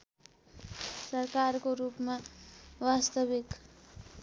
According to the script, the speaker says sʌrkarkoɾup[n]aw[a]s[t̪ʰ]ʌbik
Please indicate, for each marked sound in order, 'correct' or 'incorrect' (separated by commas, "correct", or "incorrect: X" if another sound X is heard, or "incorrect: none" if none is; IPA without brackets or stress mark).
incorrect: m, correct, incorrect: t̪